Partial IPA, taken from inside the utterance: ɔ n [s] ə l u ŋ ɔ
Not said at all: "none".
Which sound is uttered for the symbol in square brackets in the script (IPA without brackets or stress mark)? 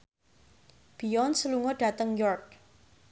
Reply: s